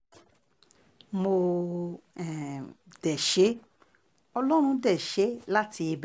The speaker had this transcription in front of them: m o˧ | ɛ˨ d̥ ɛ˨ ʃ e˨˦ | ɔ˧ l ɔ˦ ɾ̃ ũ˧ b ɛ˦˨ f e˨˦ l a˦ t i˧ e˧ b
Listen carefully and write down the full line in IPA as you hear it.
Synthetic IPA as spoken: m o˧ | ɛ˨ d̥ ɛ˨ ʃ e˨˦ | ɔ˧ l ɔ˦ ɾ̃ ũ˧ d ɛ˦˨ ʃ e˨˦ l a˦ t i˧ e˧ b